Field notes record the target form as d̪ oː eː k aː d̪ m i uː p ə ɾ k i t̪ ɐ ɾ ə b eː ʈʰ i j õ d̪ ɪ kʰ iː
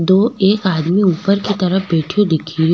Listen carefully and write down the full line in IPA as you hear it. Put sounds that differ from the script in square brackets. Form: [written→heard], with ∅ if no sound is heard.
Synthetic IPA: d̪ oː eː k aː d̪ m i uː p ə ɾ k i t̪ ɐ ɾ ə b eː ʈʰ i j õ d̪ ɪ kʰ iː